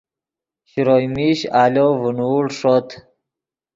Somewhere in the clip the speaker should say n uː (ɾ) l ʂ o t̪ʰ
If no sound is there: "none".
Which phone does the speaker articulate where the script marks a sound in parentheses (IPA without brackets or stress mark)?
none